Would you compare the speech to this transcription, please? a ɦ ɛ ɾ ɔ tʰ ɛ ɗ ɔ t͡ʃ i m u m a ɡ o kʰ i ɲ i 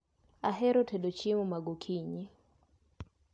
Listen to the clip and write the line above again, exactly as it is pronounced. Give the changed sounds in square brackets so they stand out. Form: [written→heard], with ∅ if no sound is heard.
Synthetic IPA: a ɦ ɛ ɾ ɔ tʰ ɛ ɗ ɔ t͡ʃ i m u m a ɡ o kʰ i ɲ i